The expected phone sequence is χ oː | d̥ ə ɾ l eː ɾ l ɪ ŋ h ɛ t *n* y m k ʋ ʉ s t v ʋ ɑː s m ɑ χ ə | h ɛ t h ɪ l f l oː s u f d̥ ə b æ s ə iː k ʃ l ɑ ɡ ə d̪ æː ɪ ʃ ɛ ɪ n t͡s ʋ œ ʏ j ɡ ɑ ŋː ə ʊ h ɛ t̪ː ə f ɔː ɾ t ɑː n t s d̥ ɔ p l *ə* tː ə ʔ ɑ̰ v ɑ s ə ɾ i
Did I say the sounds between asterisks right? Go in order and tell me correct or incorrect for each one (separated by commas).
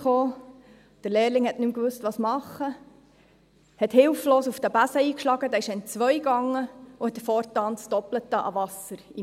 correct, correct